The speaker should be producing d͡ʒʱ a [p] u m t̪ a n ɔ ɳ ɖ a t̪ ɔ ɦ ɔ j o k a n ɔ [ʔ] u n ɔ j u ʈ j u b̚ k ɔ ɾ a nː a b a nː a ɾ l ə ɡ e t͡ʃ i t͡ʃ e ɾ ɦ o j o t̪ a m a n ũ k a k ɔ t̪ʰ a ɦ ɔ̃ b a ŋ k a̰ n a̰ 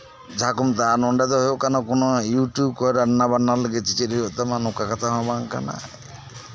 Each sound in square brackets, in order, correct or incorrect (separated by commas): incorrect, incorrect